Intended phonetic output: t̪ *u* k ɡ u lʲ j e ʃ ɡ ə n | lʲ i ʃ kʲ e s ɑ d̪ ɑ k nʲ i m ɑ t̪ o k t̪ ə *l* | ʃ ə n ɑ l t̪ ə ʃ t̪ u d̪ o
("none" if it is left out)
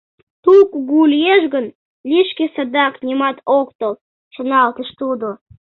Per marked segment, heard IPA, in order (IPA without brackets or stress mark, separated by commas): u, l